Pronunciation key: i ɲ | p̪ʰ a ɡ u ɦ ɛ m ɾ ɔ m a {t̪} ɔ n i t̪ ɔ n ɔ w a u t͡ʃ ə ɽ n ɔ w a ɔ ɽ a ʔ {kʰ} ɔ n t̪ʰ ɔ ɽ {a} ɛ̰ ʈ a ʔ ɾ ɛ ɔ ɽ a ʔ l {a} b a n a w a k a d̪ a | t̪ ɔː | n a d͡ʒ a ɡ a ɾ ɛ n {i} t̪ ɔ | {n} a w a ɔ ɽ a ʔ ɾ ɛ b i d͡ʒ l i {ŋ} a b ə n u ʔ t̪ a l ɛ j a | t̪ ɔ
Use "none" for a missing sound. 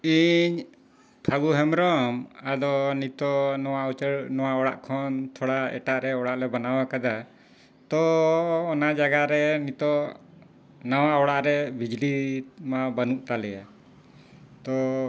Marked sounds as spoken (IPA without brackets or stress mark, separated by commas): d̪, kʰ, a, ɛ, i, n, m